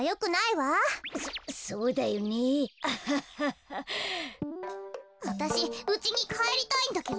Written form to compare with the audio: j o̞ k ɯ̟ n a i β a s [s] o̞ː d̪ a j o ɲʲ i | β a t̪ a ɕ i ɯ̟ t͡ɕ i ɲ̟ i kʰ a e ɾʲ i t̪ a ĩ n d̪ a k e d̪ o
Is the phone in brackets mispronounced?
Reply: no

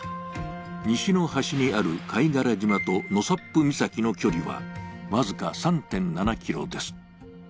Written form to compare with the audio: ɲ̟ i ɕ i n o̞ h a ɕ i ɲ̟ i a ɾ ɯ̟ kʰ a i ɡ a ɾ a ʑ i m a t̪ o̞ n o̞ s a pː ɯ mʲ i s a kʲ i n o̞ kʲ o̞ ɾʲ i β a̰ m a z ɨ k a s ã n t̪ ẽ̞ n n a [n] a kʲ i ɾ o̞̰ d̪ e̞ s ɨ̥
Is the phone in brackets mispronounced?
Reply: no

